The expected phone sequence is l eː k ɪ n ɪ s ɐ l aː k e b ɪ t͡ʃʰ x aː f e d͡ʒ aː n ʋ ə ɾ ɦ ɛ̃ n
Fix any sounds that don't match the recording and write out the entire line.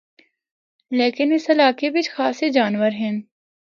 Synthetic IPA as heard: l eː k ɪ n ɪ s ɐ l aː k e b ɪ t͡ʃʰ x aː s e d͡ʒ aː n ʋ ə ɾ ɦ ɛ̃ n